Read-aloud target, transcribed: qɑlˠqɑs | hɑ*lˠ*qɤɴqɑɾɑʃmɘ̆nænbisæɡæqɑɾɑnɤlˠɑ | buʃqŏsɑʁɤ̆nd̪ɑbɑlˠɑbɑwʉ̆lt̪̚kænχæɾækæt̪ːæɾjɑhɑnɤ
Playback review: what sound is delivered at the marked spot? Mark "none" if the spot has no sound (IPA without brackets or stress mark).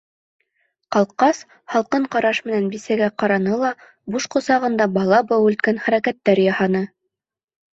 lˠ